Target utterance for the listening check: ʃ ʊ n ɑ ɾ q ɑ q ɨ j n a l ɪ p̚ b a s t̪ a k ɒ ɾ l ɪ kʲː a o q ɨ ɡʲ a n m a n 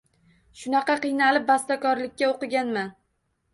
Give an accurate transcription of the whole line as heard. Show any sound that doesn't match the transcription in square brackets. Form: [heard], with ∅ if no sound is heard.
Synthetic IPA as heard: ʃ ʊ n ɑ [∅] q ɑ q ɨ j n a l ɪ p̚ b a s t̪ a k ɒ ɾ l ɪ kʲː a o q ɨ ɡʲ a n m a n